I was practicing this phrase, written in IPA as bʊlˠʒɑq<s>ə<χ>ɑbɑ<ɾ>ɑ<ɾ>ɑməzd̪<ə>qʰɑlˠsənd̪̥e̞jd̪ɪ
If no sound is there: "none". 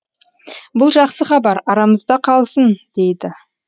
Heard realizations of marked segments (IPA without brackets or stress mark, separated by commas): s, χ, ɾ, ɾ, ɑ